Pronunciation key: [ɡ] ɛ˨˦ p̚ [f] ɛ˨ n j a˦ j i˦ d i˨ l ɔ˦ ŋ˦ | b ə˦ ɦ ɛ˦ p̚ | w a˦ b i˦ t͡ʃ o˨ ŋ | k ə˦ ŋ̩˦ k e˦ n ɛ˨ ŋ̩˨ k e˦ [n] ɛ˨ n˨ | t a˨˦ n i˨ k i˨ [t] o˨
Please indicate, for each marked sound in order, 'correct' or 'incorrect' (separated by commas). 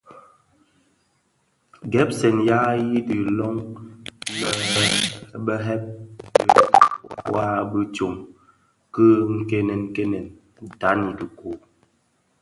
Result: correct, incorrect, correct, incorrect